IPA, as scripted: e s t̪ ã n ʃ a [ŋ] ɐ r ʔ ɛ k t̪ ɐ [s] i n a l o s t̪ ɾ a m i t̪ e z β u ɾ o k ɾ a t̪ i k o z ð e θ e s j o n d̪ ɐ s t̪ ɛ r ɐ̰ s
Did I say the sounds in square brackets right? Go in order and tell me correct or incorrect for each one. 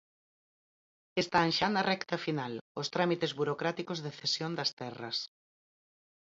incorrect: n, incorrect: f

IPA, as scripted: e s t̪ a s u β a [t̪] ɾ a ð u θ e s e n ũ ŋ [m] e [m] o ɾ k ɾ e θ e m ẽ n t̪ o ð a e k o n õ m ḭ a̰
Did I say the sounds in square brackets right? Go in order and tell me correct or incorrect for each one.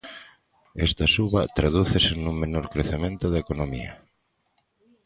correct, correct, incorrect: n

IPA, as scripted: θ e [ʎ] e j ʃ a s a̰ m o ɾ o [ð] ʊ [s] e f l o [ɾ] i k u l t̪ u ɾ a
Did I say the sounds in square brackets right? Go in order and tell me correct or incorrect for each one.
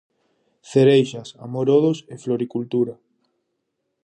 incorrect: ɾ, correct, correct, correct

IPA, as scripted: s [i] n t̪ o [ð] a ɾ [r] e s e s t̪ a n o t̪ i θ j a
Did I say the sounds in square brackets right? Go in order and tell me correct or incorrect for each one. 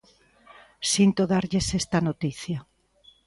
correct, correct, incorrect: ʎ

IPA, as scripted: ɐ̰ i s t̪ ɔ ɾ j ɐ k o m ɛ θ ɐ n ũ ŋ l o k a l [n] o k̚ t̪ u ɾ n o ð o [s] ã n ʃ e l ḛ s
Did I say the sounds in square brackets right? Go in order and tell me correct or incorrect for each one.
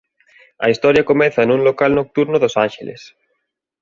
correct, correct

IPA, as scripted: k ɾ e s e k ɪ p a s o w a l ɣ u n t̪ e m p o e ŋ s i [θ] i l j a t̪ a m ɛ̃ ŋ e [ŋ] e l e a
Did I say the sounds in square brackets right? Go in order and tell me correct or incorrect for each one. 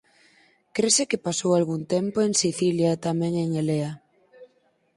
correct, correct

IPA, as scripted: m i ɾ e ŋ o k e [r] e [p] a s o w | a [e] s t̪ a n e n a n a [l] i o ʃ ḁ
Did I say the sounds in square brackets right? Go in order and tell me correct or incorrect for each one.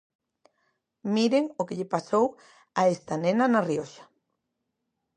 incorrect: ʎ, correct, correct, incorrect: r

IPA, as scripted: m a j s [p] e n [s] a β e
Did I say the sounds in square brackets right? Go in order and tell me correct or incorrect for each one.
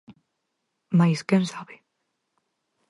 incorrect: k, correct

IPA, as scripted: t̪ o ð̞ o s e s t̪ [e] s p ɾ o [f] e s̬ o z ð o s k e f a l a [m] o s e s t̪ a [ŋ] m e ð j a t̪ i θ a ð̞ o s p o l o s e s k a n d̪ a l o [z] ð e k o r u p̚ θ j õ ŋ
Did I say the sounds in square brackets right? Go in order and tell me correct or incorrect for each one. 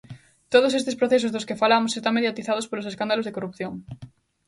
correct, incorrect: θ, correct, correct, correct

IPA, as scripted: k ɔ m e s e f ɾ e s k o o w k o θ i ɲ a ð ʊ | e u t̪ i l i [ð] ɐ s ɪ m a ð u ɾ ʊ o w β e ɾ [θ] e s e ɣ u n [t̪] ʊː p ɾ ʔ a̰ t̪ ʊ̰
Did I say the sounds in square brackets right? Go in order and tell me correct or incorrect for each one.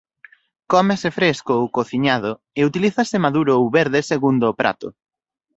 incorrect: θ, incorrect: ð, incorrect: d̪

